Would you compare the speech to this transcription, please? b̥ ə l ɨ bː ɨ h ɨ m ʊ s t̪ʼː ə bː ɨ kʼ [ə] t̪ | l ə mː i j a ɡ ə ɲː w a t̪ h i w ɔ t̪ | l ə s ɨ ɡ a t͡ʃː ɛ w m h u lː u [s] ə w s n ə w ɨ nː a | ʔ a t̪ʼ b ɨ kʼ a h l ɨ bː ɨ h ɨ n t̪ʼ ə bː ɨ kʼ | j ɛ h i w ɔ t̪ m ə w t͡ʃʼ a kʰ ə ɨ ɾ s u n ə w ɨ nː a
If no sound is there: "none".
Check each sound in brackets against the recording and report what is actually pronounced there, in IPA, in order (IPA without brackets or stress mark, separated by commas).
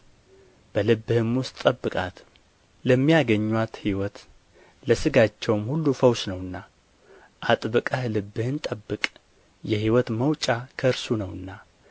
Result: a, f